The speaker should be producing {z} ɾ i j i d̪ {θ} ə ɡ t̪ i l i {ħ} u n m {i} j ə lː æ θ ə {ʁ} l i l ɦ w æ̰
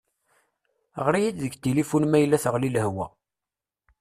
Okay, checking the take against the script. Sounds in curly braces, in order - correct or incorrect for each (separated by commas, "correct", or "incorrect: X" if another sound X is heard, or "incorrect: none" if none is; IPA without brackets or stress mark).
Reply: incorrect: ʁ, incorrect: ð, incorrect: f, incorrect: æ, correct